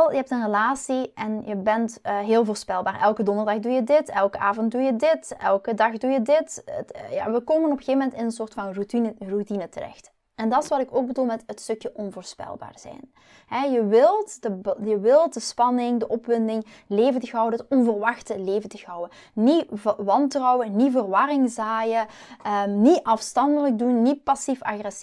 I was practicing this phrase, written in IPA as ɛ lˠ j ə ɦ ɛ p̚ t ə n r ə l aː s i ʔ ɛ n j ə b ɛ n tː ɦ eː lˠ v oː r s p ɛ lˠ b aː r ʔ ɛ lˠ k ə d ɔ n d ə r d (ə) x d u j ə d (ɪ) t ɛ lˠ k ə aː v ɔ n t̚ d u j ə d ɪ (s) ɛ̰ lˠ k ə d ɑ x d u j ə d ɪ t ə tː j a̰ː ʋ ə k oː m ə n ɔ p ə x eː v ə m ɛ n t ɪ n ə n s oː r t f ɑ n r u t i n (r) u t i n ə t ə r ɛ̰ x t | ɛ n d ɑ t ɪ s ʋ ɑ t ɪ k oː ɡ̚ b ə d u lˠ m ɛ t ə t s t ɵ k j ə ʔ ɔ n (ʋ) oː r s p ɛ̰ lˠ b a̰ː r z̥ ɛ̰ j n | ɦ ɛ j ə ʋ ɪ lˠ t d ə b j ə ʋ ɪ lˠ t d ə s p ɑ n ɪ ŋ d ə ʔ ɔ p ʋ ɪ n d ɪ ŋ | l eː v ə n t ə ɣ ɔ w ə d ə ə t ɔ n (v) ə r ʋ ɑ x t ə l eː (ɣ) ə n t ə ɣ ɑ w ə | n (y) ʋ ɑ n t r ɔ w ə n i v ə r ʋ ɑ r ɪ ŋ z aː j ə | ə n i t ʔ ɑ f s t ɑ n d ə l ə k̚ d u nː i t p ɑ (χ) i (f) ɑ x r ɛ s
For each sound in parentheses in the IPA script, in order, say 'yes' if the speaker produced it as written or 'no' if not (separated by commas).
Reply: no, yes, no, yes, no, yes, no, no, no, yes